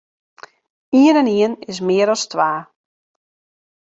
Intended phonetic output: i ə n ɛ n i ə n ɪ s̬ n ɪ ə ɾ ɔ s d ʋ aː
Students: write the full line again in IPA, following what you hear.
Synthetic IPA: i ə n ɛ n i ə n ɪ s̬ m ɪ ə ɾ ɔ s t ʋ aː